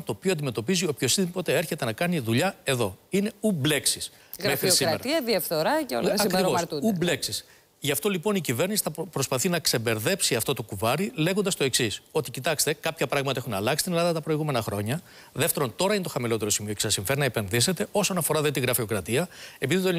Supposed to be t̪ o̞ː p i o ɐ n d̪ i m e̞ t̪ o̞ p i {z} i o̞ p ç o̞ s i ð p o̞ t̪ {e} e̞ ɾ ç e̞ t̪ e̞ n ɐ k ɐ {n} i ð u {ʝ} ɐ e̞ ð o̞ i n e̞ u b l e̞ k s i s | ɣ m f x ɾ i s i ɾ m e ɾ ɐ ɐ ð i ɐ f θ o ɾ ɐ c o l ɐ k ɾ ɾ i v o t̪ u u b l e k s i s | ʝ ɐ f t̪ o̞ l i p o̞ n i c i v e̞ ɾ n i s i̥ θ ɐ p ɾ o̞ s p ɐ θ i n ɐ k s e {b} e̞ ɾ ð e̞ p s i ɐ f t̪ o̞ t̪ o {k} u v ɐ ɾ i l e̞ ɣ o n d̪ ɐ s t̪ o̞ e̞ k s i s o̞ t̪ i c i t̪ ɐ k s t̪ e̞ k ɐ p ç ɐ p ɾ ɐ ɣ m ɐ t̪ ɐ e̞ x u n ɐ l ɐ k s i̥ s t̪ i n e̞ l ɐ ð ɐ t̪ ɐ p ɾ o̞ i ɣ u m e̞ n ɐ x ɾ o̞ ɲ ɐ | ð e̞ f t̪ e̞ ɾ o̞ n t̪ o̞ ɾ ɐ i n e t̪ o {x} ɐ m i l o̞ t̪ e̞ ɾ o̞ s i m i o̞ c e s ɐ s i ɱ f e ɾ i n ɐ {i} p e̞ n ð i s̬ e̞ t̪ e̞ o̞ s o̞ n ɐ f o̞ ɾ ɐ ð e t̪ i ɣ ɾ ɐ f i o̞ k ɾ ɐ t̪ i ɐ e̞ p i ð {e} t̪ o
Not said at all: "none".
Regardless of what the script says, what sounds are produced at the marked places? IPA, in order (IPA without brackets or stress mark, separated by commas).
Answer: z, e, n, ʎ, b, k, x, e, i